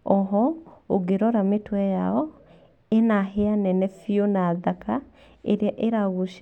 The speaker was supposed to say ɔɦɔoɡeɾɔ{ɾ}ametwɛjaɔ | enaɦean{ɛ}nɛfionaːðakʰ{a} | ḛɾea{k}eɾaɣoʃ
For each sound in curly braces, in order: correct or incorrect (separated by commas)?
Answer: correct, correct, correct, incorrect